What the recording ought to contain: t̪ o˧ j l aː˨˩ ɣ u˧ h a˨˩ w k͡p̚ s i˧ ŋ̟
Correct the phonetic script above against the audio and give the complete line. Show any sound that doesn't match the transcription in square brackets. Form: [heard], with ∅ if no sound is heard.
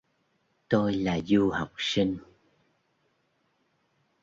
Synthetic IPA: t̪ o˧ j l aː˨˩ [z] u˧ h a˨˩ w k͡p̚ s i˧ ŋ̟

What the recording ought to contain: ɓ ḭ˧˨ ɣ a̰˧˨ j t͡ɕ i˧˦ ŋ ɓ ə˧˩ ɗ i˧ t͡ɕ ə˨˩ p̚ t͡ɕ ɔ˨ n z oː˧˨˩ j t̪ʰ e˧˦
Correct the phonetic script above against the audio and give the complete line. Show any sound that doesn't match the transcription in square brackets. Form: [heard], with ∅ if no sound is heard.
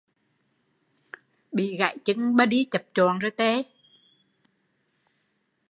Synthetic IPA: ɓ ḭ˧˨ ɣ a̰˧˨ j t͡ɕ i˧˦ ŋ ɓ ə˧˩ ɗ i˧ t͡ɕ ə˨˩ p̚ t͡ɕ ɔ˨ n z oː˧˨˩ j [t̪] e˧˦

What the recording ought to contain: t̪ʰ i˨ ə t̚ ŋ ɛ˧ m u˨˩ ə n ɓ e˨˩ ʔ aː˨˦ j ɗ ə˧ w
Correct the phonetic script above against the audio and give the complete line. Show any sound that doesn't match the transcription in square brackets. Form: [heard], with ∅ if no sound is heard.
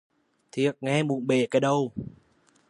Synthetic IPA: t̪ʰ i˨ ə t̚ ŋ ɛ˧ m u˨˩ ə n ɓ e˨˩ [k] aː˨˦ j ɗ ə˧ w

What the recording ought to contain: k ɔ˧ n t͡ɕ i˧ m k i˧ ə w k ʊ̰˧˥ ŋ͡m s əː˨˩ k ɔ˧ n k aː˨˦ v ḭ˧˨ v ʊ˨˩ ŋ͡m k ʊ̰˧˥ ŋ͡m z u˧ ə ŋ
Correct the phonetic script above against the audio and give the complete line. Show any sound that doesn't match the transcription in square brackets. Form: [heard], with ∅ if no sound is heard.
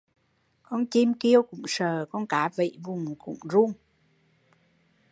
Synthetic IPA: k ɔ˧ n t͡ɕ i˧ m k i˧ ə w k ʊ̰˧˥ ŋ͡m s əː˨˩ k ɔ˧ n k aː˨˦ v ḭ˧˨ v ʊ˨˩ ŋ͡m k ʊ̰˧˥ ŋ͡m z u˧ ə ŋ

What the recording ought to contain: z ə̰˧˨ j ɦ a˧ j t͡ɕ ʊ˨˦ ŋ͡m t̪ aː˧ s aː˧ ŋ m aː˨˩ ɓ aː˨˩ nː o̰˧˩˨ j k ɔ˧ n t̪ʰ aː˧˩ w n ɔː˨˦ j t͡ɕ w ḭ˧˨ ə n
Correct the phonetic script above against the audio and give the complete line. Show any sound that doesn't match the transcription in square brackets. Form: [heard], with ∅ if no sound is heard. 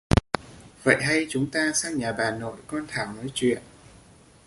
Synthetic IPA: [v] ə̰˧˨ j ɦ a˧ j t͡ɕ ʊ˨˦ ŋ͡m t̪ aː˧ s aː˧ ŋ [ɲ] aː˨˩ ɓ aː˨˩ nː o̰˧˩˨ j k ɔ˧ n t̪ʰ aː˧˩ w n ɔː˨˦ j t͡ɕ w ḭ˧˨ ə n

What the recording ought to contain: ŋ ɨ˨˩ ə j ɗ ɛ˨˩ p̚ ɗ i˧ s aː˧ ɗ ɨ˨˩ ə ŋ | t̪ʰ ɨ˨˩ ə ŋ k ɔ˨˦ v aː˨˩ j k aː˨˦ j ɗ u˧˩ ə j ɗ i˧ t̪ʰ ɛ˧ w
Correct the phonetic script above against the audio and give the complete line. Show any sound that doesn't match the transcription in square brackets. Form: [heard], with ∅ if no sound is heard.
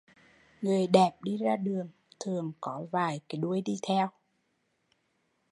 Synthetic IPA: ŋ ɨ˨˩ ə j ɗ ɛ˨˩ p̚ ɗ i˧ [z] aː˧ ɗ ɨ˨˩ ə ŋ | t̪ʰ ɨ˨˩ ə ŋ k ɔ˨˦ v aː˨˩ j k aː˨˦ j ɗ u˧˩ ə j ɗ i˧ t̪ʰ ɛ˧ w

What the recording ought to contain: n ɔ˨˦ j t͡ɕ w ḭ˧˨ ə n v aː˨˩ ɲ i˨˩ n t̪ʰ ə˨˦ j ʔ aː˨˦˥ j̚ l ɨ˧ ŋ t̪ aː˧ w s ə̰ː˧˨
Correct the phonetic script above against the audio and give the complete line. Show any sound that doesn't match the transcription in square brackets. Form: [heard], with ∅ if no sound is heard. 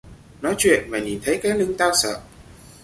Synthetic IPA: n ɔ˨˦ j t͡ɕ w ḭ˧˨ ə n v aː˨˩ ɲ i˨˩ n t̪ʰ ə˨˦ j [k] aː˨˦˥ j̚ l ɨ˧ ŋ t̪ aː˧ w s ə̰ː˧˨

